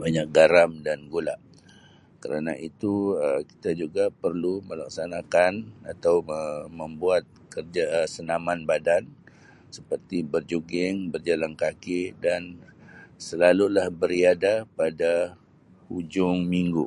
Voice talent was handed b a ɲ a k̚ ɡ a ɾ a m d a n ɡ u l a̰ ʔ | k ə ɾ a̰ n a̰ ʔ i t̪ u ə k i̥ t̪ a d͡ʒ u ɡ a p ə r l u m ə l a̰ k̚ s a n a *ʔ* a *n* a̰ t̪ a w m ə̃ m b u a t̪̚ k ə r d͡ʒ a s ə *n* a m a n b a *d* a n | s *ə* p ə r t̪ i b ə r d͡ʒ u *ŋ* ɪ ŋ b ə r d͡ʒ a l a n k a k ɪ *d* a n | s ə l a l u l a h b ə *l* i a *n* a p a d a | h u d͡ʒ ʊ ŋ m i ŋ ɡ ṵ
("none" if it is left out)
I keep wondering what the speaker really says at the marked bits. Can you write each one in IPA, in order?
k, n, n, d, ə, ɡ, d, ɾ, d

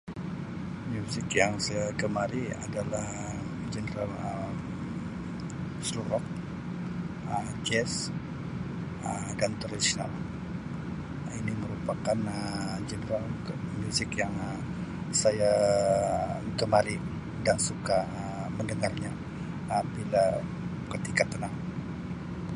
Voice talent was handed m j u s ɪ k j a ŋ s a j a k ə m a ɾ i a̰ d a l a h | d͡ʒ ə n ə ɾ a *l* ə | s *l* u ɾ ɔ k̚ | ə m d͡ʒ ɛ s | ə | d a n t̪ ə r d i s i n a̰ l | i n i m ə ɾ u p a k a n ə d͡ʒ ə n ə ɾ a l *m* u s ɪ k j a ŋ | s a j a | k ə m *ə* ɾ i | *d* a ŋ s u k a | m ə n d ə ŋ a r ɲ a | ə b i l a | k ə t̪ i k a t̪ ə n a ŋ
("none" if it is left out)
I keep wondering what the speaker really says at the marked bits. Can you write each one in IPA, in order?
l, l, m, a, d

